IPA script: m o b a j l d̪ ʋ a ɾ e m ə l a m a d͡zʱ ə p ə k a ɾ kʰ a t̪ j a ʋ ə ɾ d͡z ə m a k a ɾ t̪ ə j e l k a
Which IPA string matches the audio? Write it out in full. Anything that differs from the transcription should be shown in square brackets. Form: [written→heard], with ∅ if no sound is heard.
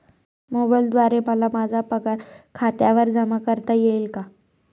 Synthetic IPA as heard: m o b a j l d̪ ʋ a ɾ e m ə l a m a d͡zʱ [ə→a] p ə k a ɾ kʰ a t̪ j a ʋ ə ɾ d͡z ə m a k [a→ə] ɾ t̪ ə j e l k a

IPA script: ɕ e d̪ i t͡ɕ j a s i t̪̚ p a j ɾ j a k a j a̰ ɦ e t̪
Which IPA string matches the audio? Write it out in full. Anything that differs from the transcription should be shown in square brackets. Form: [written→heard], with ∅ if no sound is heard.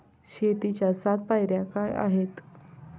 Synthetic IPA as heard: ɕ e [d̪→t̪] i t͡ɕ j a s [i→a] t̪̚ p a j ɾ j a k a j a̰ ɦ e t̪

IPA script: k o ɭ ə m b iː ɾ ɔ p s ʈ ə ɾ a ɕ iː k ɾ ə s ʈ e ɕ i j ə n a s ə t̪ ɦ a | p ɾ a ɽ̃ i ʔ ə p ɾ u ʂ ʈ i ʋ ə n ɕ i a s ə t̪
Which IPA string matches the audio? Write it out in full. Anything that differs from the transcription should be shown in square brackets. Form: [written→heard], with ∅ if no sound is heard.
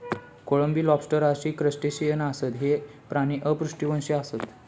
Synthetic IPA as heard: k o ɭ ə m b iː [ɾ→l] ɔ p s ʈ ə ɾ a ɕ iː k ɾ ə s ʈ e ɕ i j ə n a s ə t̪ ɦ [a→e] | p ɾ a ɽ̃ i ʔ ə p ɾ u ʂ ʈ i ʋ ə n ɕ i a s ə t̪

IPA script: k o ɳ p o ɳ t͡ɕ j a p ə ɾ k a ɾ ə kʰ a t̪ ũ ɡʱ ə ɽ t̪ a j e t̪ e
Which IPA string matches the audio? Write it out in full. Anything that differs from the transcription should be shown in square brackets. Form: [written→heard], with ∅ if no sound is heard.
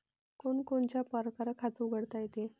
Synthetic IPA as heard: k o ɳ [p→k] o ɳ t͡ɕ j a p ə ɾ k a ɾ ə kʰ a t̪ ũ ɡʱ ə ɽ t̪ a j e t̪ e

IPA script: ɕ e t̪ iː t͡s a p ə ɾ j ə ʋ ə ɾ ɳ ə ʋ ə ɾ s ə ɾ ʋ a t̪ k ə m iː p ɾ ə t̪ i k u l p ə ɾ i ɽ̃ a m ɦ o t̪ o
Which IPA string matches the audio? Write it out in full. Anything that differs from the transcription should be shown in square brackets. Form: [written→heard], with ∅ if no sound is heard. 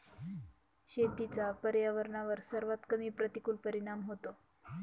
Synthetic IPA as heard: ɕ e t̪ [iː→i] t͡s a p ə ɾ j [ə→a] ʋ ə ɾ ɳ [ə→a] ʋ ə ɾ s ə ɾ ʋ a t̪ k ə m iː p ɾ ə t̪ i k u l p ə ɾ i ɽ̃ a m ɦ o t̪ o

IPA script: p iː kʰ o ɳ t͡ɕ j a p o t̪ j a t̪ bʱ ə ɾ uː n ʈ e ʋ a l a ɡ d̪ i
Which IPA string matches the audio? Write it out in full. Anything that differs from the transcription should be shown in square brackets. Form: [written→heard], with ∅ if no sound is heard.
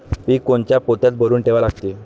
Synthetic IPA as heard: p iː [kʰ→k] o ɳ t͡ɕ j a p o t̪ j a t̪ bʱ ə ɾ uː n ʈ e ʋ a l a ɡ [d̪→t̪] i

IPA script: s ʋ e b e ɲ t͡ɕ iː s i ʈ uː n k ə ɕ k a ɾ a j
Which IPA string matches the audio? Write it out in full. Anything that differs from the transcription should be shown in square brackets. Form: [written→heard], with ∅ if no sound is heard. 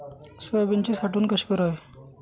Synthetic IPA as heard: s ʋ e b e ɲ t͡ɕ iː s [i→a] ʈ uː n k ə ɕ k [a→ə] ɾ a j

